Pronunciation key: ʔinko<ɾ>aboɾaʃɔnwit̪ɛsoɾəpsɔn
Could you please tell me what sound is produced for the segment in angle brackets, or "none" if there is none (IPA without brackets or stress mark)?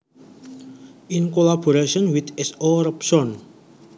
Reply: l